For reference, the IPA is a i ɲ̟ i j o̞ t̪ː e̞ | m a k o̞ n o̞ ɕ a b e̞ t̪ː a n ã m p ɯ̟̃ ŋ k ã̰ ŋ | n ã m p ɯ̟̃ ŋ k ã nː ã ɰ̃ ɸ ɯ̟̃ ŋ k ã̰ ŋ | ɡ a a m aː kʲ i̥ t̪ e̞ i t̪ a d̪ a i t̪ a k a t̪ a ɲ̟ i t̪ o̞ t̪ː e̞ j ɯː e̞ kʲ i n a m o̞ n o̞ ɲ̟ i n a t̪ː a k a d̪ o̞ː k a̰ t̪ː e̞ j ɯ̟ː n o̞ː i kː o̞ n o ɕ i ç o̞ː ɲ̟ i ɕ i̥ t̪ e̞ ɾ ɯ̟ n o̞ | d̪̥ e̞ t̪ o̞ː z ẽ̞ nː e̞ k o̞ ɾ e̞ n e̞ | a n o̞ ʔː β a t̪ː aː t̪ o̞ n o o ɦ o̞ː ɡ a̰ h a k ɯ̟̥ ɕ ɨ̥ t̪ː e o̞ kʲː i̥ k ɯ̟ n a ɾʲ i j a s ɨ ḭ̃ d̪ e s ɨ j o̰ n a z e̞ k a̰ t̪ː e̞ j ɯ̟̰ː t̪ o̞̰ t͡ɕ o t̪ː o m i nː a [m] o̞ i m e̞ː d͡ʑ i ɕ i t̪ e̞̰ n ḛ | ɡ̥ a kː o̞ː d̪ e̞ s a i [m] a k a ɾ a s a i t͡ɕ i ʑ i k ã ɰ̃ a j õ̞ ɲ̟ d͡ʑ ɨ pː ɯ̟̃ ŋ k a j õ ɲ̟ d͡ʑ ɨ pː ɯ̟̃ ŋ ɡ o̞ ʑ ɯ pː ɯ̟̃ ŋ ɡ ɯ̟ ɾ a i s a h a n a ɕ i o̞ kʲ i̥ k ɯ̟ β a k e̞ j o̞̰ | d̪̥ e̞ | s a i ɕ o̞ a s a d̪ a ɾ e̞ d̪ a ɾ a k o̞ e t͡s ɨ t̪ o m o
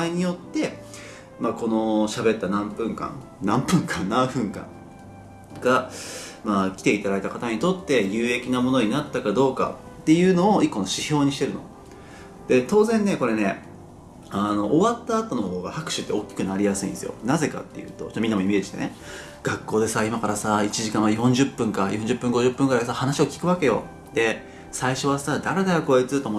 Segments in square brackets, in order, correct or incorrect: correct, correct

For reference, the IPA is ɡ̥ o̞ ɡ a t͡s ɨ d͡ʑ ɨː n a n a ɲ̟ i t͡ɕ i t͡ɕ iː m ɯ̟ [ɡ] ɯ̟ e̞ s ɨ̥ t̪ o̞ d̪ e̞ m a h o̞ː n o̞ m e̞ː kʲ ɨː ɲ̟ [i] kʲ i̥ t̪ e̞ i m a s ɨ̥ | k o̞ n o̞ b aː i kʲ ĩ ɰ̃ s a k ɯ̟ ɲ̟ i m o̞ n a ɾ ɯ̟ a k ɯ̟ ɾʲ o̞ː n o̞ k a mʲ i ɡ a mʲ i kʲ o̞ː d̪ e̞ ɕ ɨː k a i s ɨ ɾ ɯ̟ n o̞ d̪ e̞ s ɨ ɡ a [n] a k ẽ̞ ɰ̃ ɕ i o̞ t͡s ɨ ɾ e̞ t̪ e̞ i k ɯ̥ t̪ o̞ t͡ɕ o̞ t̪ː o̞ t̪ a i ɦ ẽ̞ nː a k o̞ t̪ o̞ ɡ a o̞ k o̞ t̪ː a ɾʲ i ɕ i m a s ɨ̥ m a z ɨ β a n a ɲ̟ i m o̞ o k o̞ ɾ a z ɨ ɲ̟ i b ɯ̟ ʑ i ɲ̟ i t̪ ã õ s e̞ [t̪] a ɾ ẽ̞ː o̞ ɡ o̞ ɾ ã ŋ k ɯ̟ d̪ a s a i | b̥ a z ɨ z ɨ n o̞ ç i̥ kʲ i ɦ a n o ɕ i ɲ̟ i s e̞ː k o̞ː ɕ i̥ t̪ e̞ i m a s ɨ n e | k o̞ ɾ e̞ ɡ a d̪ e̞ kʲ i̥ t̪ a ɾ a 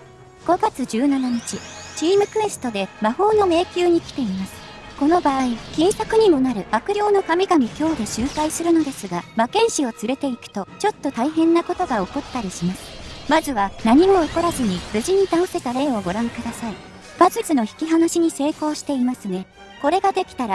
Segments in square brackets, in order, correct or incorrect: incorrect: k, correct, incorrect: m, correct

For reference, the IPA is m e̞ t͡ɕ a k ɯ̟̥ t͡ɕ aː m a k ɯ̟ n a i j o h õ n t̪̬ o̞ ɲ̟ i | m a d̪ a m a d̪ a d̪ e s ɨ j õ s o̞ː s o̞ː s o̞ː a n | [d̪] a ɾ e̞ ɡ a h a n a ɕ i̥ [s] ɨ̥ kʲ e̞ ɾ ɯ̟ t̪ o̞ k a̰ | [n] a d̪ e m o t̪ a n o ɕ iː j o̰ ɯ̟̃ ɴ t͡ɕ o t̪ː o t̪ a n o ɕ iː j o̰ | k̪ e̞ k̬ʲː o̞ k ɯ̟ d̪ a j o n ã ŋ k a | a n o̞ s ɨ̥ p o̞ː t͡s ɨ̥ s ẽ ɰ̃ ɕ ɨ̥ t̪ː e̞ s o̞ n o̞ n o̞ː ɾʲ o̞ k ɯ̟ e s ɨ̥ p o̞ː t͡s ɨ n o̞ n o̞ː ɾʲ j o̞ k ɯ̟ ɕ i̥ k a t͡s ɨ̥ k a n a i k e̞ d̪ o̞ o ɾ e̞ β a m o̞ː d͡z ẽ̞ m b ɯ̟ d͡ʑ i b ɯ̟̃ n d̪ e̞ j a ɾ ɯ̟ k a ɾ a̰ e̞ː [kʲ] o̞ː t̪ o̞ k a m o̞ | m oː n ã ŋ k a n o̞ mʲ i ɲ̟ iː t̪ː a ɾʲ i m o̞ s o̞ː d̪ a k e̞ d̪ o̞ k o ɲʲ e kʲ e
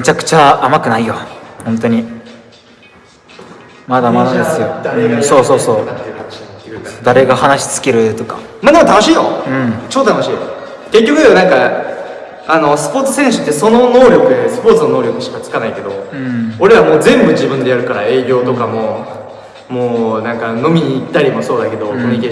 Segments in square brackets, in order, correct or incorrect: correct, incorrect: t͡s, incorrect: m, incorrect: ɡʲ

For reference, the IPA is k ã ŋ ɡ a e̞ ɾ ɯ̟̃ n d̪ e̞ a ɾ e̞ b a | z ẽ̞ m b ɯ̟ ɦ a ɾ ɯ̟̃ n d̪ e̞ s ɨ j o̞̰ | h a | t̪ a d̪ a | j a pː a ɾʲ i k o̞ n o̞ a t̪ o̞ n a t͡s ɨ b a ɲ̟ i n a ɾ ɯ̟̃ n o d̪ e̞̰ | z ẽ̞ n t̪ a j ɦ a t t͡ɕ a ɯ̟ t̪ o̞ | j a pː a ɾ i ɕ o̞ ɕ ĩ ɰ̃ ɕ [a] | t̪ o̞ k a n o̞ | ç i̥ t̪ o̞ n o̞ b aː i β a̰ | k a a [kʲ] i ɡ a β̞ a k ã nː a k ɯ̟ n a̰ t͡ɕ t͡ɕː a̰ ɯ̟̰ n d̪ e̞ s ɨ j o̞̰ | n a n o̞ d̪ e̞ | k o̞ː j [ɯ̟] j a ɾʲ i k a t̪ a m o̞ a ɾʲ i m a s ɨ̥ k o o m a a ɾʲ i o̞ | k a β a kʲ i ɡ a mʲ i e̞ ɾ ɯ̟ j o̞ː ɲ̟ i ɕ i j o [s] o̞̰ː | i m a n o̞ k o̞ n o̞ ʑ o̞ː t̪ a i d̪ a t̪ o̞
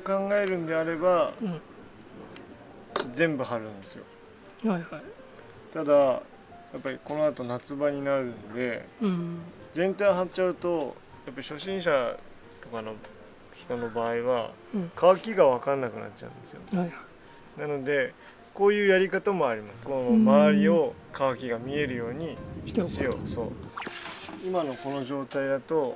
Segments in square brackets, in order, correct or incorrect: correct, correct, incorrect: ɯ̟ː, correct

